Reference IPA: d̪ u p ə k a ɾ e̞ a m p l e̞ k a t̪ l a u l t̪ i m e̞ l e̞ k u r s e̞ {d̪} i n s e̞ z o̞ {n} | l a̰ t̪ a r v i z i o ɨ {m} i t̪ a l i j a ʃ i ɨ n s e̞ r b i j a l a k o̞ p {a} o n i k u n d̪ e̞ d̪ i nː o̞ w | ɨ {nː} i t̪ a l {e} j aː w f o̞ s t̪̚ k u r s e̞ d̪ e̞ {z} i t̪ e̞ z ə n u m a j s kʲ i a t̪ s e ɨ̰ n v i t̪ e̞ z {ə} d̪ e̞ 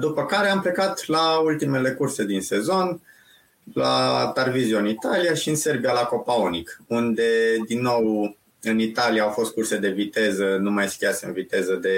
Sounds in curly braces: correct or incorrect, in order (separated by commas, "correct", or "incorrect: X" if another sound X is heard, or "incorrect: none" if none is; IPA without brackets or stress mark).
correct, correct, incorrect: n, correct, incorrect: n, incorrect: i, incorrect: v, correct